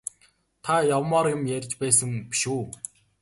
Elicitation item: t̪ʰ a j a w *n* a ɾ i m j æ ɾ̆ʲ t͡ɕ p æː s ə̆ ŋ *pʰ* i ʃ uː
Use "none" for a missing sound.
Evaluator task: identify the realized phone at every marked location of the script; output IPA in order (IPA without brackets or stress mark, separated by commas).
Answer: m, p